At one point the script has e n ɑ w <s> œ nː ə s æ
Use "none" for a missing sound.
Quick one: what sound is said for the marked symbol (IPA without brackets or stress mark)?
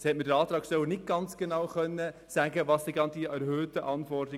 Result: χ